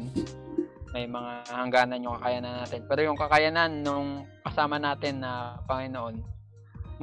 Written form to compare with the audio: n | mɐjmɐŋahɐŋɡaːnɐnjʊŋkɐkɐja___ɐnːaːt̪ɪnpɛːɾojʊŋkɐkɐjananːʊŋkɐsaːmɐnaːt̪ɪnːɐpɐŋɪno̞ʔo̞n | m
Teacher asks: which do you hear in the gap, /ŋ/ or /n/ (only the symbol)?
n